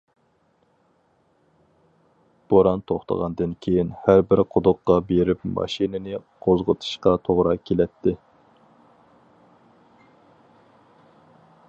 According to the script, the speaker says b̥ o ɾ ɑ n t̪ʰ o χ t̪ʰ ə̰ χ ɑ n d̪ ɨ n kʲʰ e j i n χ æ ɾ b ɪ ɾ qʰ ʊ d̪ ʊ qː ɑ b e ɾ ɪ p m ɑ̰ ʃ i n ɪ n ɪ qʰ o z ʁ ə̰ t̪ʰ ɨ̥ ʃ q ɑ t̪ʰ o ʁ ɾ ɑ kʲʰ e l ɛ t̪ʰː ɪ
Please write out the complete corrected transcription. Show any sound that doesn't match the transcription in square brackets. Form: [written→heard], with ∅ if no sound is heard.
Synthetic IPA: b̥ o ɾ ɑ n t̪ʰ o χ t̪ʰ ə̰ [χ→ʁ] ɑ n d̪ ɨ n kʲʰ e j i n [χ→h] æ ɾ b ɪ ɾ qʰ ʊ d̪ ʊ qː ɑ b e ɾ ɪ p m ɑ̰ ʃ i n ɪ n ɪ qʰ o z ʁ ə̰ t̪ʰ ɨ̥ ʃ q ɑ t̪ʰ o ʁ ɾ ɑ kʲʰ e l ɛ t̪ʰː ɪ